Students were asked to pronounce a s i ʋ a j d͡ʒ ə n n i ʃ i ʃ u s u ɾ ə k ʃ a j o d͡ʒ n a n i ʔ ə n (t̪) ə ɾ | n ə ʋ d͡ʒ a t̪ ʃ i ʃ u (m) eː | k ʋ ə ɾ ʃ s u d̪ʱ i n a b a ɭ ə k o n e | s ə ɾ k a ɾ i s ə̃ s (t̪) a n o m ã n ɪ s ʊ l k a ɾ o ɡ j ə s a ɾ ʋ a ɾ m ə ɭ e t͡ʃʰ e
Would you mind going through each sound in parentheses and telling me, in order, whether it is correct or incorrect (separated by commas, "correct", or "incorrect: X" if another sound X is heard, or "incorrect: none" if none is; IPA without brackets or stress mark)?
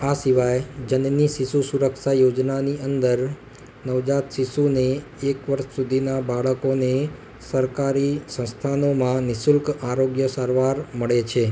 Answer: incorrect: d̪, incorrect: n, incorrect: t̪ʰ